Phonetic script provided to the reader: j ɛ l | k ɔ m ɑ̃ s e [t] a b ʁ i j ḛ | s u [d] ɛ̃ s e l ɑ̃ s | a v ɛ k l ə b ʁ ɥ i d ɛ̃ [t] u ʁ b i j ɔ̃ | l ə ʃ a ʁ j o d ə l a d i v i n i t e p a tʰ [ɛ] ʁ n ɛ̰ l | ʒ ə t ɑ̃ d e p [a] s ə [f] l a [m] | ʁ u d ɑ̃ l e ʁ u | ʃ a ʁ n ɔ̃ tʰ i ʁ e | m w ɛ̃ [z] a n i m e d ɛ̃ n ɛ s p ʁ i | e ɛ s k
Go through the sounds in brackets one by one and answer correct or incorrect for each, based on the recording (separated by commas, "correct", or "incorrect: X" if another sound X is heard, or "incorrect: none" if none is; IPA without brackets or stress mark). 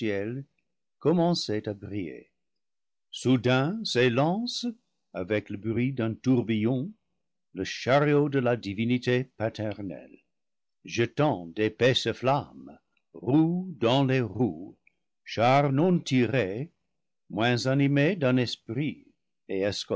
correct, correct, correct, correct, incorrect: ɛ, correct, correct, correct